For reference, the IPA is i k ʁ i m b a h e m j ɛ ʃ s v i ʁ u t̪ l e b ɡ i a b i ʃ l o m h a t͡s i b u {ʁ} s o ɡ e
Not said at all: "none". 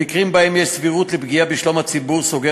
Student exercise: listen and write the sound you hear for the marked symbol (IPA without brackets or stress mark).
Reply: ʁ